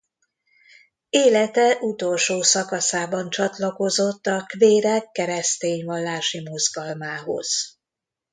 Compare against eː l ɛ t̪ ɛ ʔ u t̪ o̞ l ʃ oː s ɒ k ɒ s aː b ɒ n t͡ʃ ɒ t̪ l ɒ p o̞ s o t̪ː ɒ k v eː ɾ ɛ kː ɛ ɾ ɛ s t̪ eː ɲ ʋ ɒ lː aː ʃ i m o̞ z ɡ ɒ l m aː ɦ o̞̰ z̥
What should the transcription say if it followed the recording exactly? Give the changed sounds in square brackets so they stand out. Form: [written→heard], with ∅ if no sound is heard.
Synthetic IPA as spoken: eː l ɛ t̪ ɛ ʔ u t̪ o̞ l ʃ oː s ɒ k ɒ s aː b ɒ n t͡ʃ ɒ t̪ l ɒ [p→k] o̞ [s→z] o t̪ː ɒ k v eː ɾ ɛ kː ɛ ɾ ɛ s t̪ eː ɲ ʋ ɒ lː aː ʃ i m o̞ z ɡ ɒ l m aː ɦ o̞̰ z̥